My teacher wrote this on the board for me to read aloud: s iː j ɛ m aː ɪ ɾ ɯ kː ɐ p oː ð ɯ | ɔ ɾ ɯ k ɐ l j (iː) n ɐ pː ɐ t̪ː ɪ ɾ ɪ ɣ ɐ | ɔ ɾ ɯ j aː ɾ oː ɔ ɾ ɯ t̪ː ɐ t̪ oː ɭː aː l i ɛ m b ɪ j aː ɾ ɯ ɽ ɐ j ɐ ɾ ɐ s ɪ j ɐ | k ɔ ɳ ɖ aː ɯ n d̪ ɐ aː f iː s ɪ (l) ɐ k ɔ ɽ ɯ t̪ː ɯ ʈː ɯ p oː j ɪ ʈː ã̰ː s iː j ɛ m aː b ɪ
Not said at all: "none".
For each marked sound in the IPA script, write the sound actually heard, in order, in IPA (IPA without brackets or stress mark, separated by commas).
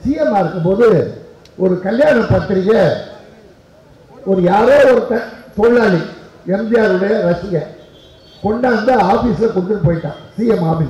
aː, l